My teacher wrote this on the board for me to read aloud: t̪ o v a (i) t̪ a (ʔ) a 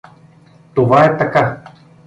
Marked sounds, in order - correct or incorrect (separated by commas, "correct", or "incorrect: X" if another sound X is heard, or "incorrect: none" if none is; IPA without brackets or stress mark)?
incorrect: ɛ, incorrect: k